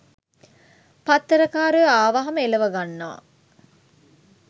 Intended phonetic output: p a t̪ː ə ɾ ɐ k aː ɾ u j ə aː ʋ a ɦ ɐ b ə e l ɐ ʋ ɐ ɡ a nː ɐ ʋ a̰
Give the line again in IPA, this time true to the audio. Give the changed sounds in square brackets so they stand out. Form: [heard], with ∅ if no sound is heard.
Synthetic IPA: p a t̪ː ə ɾ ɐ k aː ɾ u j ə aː ʋ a ɦ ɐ [m] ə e l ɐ ʋ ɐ ɡ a nː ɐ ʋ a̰